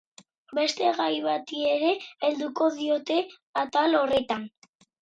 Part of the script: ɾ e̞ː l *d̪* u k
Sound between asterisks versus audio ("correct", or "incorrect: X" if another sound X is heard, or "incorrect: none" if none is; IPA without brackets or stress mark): correct